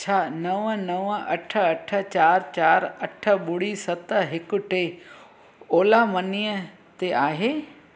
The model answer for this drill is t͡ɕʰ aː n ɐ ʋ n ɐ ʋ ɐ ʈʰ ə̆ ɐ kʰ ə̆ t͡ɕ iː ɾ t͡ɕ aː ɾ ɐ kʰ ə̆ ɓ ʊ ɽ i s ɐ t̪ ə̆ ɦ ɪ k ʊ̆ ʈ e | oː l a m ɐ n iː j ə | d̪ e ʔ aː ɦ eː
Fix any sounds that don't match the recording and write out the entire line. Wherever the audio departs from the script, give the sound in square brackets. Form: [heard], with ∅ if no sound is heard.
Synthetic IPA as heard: t͡ɕʰ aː n ɐ ʋ n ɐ ʋ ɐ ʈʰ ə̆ ɐ [ʈʰ] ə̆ t͡ɕ [aː] ɾ t͡ɕ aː ɾ ɐ [ʈʰ] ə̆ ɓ ʊ ɽ i s ɐ t̪ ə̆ ɦ ɪ k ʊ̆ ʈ e | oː l a m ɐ n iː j ə | [t̪] e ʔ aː ɦ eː